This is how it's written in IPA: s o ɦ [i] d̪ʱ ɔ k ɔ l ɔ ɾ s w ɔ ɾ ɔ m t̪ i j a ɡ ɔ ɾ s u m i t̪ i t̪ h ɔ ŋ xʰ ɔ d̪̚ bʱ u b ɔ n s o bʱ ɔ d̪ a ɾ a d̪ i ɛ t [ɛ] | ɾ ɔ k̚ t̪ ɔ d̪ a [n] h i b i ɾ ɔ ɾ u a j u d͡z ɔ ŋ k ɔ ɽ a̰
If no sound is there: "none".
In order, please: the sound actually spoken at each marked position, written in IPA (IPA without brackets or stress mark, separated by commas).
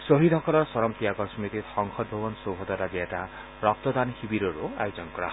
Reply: i, a, n